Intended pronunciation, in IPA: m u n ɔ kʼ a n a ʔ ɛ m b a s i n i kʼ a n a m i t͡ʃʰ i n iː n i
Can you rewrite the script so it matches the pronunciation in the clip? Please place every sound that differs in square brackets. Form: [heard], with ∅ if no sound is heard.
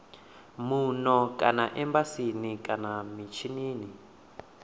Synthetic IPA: m u n ɔ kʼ a n a ʔ ɛ m b a s i n i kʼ a n a m i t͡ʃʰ i n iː n i